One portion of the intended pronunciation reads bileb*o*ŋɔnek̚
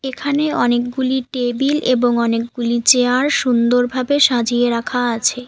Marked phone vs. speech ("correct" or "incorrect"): correct